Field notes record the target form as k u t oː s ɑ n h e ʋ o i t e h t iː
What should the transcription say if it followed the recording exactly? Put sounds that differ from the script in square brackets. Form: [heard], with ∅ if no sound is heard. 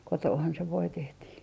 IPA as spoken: k [o] t oː [h] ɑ n [s] e ʋ o i t e h t iː